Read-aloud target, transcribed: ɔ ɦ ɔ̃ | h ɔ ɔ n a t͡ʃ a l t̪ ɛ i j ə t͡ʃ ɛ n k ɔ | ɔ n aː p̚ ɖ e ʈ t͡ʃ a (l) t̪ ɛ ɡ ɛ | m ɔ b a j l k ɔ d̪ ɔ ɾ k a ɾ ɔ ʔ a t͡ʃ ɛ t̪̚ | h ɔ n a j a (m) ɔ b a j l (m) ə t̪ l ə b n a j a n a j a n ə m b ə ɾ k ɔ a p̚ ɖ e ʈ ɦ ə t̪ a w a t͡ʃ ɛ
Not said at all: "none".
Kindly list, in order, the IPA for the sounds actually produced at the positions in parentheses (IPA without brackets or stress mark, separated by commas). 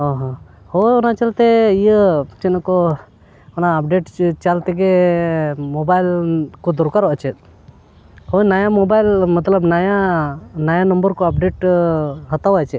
l, m, m